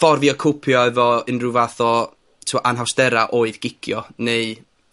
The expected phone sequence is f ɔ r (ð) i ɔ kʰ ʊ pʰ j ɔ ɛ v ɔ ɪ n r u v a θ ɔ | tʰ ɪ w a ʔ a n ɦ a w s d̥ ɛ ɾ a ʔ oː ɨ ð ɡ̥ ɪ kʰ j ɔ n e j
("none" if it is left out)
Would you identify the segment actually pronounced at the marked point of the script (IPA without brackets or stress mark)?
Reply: v